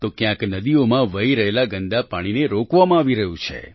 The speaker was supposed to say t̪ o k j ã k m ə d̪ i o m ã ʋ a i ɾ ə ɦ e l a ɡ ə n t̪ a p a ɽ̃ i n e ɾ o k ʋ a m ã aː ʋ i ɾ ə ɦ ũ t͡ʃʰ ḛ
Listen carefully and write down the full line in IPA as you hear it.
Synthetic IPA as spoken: t̪ o k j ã k n ə d̪ i o m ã ʋ ə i ɾ ə ɦ e l a ɡ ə n d̪ a p a ɽ̃ i n e ɾ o k ʋ a m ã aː ʋ i ɾ ə ɦ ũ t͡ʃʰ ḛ